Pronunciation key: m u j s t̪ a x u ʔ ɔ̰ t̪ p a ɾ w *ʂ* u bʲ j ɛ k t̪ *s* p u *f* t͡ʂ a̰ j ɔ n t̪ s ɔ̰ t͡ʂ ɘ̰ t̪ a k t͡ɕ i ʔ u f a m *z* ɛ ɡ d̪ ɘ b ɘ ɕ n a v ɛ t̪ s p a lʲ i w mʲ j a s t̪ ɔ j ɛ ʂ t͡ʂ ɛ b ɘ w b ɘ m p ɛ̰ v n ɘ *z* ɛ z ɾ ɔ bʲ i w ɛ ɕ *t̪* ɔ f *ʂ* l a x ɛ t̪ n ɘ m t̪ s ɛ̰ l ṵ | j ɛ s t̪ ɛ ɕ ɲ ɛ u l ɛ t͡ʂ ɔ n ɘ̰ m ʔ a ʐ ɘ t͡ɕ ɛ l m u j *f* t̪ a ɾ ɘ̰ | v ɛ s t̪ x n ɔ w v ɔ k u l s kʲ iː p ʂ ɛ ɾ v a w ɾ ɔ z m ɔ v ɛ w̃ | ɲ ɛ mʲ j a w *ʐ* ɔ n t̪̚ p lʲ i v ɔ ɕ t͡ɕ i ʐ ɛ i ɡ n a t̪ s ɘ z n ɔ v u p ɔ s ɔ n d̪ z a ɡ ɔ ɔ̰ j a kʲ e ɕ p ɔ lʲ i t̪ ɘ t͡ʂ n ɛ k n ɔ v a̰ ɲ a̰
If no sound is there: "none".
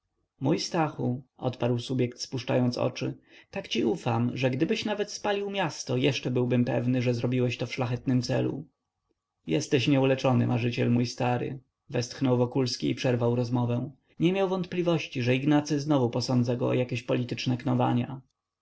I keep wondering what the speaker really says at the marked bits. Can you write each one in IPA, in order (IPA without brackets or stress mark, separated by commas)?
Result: s, s, ʂ, ʐ, ʐ, t̪, ʂ, s, v